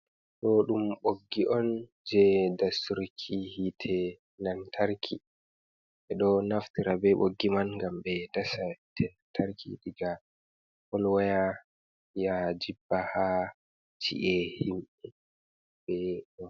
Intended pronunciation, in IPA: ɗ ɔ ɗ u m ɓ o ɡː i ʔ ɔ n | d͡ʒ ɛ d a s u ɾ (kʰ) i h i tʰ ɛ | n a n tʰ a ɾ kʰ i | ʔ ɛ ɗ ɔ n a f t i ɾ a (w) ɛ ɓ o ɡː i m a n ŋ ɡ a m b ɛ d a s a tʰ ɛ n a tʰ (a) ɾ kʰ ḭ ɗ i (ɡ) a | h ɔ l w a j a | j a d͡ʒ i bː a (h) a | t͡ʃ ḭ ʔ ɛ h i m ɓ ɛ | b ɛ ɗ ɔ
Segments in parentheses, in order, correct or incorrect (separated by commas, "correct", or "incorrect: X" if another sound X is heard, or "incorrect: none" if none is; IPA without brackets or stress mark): correct, incorrect: b, correct, correct, correct